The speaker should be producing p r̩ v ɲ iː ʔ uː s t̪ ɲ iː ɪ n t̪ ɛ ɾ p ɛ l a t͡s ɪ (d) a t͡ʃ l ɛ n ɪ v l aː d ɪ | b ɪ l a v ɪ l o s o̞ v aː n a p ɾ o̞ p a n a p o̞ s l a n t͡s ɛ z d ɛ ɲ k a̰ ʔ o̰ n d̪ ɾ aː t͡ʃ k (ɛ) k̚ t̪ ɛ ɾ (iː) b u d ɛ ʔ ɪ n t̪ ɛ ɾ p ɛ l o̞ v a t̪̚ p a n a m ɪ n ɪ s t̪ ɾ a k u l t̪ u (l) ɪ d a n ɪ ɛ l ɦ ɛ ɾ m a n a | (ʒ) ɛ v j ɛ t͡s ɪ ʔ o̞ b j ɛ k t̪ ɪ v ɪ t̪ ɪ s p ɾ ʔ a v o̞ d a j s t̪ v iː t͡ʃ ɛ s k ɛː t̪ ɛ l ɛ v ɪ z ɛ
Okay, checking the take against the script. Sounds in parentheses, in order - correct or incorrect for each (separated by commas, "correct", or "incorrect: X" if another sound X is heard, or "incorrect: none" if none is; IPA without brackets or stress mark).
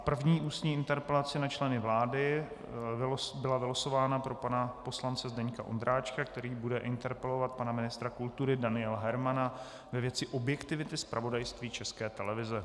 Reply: incorrect: n, incorrect: a, correct, incorrect: ɾ, incorrect: v